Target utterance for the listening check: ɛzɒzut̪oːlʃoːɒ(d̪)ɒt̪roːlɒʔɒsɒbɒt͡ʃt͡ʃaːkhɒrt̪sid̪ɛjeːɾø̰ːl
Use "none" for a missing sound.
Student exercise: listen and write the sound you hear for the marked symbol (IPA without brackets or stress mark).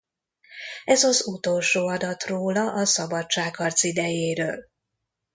d̪